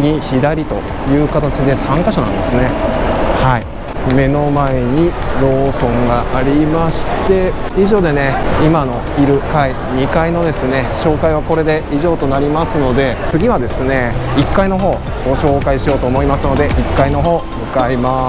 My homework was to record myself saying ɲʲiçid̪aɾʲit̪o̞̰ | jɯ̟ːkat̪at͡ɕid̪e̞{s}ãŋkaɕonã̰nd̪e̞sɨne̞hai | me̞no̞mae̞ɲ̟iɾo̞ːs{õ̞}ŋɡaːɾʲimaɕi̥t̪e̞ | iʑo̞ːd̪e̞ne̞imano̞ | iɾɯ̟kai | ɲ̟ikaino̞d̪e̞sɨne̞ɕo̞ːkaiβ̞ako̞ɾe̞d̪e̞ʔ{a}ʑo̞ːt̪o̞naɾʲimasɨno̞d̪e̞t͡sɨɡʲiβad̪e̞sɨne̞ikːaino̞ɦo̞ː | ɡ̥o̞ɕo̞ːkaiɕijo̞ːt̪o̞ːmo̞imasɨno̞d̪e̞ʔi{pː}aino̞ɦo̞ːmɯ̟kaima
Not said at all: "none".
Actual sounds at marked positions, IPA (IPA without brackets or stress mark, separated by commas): s, õ̞, i, kː